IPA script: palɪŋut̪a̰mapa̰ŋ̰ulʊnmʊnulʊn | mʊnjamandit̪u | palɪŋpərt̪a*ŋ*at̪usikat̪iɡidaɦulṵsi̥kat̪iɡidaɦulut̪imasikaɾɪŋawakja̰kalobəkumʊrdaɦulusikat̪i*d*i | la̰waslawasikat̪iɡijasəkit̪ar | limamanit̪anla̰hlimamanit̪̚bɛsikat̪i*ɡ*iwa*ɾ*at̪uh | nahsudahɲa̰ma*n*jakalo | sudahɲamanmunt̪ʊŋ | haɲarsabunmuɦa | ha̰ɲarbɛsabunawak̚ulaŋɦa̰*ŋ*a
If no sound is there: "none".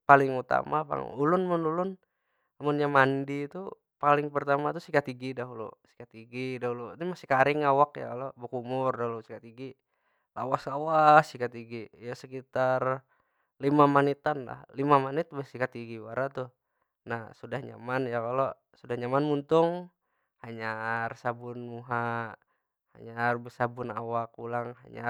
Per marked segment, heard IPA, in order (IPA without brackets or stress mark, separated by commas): m, ɡ, ɡ, ɾ, n, ɲ